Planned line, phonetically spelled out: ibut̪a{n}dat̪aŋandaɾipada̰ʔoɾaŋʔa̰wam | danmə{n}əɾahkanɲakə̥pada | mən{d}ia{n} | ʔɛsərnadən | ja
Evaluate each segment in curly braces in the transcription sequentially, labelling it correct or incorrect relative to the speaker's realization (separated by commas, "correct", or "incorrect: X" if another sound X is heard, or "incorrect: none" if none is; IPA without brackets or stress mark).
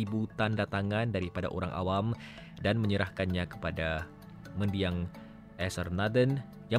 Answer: correct, incorrect: ɲ, correct, incorrect: ŋ